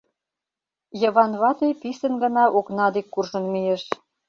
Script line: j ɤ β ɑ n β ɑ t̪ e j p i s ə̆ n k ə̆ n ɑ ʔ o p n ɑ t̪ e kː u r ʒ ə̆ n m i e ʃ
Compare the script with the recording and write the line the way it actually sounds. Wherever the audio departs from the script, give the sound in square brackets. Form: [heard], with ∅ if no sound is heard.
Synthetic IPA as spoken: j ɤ β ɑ n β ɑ t̪ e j p i s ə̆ n [ɡ] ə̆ n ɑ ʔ o [k] n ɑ [d̪] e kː u r ʒ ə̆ n m i e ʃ